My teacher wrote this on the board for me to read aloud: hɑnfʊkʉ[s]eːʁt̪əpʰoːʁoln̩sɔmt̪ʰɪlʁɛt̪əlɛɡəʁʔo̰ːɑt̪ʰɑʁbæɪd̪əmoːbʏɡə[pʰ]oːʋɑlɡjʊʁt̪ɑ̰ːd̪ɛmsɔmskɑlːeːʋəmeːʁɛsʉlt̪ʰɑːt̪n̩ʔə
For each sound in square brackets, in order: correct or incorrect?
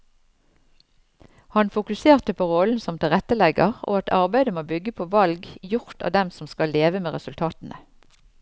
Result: correct, correct

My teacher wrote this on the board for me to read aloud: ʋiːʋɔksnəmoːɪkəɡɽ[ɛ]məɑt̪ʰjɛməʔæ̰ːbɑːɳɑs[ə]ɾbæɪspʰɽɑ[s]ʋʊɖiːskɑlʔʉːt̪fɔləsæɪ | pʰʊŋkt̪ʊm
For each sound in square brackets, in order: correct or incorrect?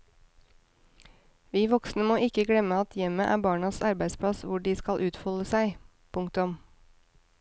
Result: correct, incorrect: ɑ, correct

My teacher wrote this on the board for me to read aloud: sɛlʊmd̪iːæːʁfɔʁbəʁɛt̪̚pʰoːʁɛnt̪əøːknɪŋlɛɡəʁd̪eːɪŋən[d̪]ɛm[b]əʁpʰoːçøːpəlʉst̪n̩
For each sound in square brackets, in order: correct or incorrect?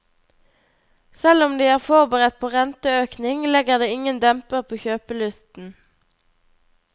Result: correct, incorrect: p

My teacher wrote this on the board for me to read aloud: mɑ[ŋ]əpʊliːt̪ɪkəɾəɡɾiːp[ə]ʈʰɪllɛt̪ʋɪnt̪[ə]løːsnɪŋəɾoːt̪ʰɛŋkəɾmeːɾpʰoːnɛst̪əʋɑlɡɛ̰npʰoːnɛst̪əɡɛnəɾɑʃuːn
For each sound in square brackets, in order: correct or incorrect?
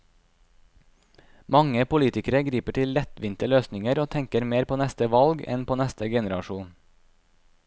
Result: correct, correct, correct

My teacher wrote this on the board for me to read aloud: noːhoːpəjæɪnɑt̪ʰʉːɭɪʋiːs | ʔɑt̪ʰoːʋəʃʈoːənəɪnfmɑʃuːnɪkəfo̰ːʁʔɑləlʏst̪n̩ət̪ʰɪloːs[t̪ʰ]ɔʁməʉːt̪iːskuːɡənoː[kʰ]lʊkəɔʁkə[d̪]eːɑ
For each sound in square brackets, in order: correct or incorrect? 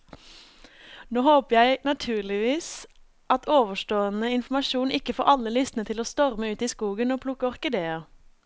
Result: incorrect: t̪, incorrect: pʰ, correct

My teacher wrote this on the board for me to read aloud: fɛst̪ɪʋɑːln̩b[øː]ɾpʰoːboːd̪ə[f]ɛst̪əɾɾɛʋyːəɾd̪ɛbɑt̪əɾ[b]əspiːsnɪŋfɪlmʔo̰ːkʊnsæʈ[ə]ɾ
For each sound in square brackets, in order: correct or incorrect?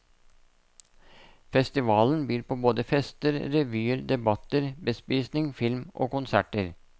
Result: incorrect: yː, correct, correct, correct

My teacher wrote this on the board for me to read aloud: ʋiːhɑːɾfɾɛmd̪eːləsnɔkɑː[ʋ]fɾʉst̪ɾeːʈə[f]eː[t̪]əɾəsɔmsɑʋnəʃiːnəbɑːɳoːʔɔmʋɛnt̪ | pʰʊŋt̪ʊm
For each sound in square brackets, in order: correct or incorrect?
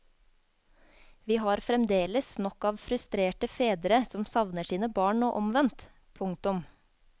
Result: correct, correct, incorrect: d̪

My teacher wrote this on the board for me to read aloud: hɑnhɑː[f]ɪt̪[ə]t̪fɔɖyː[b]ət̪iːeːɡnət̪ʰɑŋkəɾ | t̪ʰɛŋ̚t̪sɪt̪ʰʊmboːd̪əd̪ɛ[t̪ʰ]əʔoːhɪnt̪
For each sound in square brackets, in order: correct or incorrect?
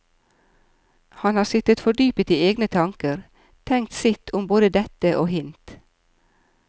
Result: incorrect: s, correct, incorrect: p, incorrect: t̪

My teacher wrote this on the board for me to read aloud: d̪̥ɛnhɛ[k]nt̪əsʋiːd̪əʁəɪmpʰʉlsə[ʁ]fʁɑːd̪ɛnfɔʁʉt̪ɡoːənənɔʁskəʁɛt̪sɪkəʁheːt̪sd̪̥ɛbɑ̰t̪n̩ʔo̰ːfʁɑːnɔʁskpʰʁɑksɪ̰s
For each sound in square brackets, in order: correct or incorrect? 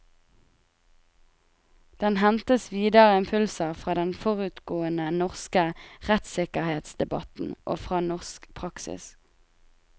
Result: incorrect: none, correct

